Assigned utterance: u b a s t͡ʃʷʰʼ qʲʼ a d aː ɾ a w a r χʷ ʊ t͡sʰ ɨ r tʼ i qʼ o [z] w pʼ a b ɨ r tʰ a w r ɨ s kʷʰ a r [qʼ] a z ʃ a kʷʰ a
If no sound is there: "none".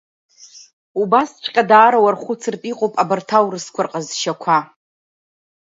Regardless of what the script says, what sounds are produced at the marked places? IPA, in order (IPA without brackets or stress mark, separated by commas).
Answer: none, qʼ